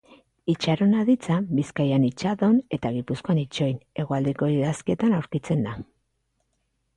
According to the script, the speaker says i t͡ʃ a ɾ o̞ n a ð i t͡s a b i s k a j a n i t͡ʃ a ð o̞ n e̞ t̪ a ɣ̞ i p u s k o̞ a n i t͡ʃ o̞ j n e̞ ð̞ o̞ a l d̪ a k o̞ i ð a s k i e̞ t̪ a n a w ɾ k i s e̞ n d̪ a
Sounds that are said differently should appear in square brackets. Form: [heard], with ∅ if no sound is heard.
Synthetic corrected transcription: i t͡ʃ a ɾ o̞ n a ð i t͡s a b i s k a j a n i t͡ʃ a ð o̞ n e̞ t̪ a ɣ̞ i p u s k o̞ a n i t͡ʃ o̞ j n e̞ [ɣ̞] o̞ a l d̪ [e] k o̞ i ð a s k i e̞ t̪ a n a w ɾ k i [t͡s] e̞ n d̪ a